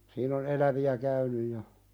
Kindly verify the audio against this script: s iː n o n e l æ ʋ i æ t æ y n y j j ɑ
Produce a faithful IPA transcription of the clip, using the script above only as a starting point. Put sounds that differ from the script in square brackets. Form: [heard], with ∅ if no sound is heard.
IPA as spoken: s iː n o n e l æ ʋ i æ [k] æ y n y j j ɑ